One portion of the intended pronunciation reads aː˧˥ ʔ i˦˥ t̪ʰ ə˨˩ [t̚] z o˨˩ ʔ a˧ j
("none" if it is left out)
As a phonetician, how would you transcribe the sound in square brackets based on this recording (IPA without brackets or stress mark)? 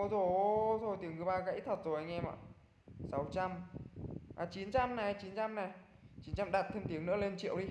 t̚